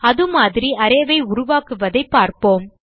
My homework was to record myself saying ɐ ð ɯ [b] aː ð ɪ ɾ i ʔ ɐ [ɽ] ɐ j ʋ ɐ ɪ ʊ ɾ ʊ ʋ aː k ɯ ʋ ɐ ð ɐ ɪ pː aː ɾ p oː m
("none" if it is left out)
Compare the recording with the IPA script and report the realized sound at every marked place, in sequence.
m, ɾ

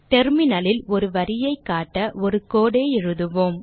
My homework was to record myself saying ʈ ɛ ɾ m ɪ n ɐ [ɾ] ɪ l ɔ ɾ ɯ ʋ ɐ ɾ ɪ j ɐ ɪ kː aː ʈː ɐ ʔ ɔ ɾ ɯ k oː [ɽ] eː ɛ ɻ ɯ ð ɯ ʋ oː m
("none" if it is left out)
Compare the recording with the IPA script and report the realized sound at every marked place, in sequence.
l, ɽ

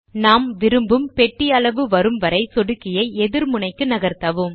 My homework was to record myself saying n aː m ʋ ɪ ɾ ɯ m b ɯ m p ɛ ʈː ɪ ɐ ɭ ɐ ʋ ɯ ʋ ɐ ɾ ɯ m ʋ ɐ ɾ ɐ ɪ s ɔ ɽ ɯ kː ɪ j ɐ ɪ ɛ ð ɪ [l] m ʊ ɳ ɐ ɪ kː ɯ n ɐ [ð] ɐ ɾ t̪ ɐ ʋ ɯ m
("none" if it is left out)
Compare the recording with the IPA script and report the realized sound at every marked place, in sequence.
ɾ, ɣ

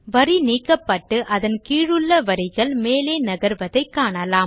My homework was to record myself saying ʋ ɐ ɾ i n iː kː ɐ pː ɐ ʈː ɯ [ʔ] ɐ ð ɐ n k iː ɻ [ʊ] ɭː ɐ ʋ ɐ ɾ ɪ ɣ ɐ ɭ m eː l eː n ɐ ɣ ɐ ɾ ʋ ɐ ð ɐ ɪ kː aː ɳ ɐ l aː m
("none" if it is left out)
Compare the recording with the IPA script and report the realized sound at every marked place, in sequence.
ʔ, ɯ

